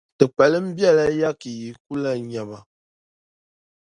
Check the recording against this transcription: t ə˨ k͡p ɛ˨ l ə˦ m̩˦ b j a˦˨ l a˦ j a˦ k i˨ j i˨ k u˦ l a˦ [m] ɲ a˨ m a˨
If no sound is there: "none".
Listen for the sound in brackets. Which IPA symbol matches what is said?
none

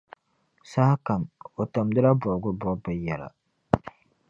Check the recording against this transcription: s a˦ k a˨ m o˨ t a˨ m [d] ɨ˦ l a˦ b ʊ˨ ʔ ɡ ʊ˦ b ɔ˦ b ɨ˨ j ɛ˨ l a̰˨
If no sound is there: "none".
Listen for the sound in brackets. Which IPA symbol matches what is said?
d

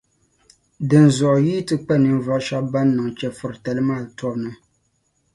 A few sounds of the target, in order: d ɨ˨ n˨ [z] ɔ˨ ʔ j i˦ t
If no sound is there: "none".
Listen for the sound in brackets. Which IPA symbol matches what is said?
z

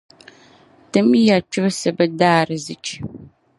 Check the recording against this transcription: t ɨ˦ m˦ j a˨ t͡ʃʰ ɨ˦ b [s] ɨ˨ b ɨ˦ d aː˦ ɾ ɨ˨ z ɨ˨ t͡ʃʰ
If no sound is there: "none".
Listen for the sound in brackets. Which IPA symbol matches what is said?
s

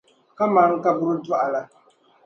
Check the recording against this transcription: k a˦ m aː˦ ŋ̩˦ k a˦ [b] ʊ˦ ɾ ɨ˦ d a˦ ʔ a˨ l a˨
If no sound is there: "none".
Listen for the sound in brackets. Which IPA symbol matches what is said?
b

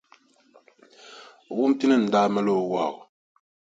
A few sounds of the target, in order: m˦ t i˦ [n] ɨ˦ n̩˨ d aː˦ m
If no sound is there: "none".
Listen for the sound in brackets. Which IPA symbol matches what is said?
n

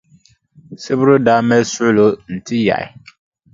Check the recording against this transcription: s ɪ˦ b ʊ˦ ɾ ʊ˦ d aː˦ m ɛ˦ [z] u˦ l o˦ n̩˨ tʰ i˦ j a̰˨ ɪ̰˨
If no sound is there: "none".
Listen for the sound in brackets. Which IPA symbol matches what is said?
s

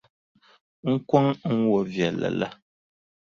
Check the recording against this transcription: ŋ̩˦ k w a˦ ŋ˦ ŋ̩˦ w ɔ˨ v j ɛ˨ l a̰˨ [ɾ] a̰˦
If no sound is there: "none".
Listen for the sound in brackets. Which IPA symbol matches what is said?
l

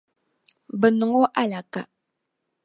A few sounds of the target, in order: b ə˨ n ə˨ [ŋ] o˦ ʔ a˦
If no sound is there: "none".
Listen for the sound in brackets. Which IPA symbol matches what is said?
ŋ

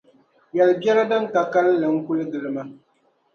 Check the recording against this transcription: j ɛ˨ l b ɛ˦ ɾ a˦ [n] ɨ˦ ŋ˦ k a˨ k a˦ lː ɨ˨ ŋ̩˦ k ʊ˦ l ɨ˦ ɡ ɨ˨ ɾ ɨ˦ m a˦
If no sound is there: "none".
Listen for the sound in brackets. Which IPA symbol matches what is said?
d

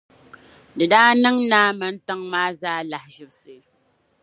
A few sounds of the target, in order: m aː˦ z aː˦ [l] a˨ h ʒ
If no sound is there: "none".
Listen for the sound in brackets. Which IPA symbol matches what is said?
l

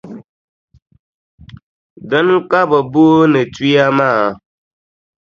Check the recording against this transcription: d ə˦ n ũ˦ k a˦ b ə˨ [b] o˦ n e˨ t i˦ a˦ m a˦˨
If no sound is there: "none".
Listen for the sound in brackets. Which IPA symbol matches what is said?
b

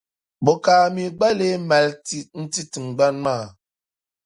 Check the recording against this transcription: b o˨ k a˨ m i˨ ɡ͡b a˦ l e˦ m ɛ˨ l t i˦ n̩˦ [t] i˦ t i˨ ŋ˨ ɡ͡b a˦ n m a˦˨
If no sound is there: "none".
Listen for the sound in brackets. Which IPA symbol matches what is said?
t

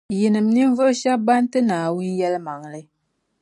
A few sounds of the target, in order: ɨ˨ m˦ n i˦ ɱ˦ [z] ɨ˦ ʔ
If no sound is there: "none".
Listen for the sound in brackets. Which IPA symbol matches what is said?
v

